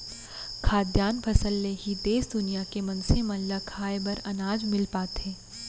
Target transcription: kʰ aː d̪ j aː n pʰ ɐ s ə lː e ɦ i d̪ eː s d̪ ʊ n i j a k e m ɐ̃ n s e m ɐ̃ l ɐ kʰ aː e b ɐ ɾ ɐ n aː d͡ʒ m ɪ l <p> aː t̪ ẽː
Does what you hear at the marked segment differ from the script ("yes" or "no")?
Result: no